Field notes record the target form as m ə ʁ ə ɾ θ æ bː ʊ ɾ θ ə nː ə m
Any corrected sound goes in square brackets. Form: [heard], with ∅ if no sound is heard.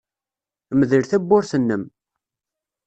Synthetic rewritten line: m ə [ð] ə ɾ θ æ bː ʊ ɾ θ ə nː ə m